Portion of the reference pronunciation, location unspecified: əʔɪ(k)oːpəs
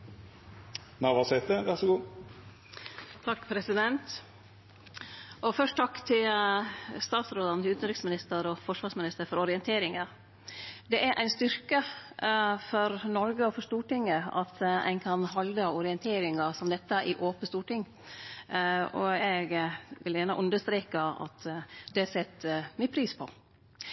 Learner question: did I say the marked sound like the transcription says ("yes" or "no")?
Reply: no